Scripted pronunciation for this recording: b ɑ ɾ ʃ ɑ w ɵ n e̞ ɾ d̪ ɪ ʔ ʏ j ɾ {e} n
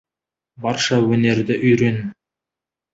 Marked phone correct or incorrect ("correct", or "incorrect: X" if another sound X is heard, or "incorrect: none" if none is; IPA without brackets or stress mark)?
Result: correct